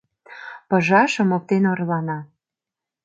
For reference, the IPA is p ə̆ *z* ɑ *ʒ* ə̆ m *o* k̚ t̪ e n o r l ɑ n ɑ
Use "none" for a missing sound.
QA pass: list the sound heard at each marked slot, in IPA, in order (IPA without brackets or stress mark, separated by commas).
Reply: ʒ, ʃ, o